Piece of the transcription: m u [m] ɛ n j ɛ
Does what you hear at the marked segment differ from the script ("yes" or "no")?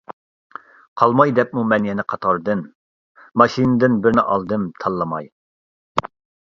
no